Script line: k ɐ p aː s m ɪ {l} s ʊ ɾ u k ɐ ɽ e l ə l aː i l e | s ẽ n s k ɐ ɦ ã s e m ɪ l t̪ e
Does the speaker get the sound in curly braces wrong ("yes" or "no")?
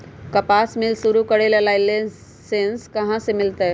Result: no